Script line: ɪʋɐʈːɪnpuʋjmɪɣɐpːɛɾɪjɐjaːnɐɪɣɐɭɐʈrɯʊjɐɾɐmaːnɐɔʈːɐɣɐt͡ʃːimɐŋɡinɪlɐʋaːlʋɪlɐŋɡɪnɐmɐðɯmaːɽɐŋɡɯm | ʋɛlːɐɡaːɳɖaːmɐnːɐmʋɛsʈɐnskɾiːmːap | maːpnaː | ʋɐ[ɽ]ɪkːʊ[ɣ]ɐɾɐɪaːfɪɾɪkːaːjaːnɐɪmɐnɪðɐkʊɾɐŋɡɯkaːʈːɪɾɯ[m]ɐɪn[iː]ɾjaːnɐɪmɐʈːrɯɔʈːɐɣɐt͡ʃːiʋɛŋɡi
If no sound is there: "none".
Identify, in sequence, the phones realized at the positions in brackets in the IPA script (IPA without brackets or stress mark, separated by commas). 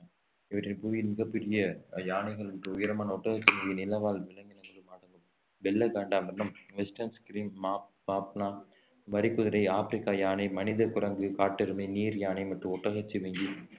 ɾ, ð, m, iː